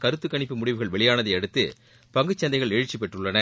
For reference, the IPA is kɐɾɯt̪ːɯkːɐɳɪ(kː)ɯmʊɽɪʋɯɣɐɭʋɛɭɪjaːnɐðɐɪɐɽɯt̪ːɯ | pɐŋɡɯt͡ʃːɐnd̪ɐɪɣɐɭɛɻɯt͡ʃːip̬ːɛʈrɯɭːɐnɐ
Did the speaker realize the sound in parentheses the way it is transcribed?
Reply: no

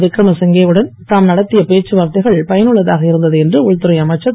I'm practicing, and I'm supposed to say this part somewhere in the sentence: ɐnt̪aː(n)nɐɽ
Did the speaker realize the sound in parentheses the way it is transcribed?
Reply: no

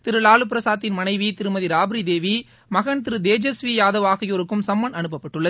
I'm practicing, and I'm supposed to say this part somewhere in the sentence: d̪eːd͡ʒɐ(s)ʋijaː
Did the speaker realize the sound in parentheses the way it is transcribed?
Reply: yes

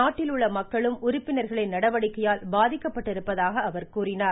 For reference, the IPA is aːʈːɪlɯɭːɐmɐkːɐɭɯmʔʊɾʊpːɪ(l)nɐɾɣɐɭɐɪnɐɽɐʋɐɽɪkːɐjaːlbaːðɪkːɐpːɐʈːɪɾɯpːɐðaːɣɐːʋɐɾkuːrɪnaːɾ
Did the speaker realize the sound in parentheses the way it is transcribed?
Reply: no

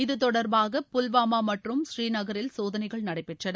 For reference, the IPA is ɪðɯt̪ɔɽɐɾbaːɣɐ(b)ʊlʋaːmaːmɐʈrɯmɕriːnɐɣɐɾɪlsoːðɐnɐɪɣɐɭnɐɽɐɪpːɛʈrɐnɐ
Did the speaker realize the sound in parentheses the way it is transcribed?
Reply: no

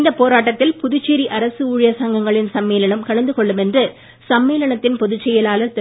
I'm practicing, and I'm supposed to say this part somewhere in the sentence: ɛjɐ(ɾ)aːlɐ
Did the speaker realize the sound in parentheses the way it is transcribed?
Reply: no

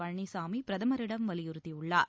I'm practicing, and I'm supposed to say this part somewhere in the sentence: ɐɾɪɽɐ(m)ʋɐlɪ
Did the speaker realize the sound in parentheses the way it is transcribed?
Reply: yes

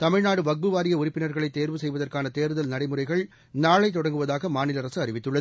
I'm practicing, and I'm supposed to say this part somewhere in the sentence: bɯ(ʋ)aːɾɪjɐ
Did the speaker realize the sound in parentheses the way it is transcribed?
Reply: yes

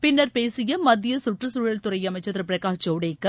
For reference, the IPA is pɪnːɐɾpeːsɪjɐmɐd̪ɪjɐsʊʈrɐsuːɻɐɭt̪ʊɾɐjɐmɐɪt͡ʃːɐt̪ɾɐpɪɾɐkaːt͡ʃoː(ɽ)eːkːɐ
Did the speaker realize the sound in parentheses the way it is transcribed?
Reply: yes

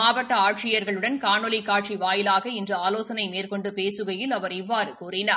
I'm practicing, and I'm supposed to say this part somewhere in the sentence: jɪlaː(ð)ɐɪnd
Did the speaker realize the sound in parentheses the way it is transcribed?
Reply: no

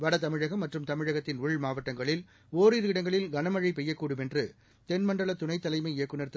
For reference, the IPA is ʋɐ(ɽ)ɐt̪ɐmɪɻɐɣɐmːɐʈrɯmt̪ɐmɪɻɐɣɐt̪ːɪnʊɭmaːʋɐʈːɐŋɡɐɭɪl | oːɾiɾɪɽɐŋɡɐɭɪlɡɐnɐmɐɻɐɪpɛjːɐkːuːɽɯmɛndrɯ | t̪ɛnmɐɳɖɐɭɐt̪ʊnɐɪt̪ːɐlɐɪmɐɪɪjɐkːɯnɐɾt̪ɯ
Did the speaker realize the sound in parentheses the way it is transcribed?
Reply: yes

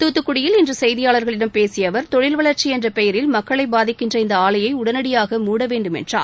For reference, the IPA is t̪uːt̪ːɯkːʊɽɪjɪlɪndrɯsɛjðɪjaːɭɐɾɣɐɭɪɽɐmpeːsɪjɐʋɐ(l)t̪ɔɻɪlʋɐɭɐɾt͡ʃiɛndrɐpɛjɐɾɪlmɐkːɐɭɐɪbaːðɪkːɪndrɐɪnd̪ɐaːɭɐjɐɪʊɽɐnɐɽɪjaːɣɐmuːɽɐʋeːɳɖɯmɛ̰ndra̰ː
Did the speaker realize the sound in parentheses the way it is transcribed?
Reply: no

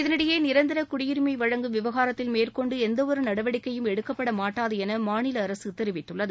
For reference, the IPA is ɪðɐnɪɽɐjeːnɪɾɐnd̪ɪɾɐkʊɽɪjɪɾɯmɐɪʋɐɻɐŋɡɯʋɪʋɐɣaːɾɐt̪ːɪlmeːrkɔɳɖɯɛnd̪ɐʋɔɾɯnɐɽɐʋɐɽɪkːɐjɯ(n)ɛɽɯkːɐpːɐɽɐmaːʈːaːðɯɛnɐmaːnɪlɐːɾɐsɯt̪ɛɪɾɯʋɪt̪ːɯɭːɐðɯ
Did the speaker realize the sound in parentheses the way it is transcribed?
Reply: no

